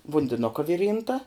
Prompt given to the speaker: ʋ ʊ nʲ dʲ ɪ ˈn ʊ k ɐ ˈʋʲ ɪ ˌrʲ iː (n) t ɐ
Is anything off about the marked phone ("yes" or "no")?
no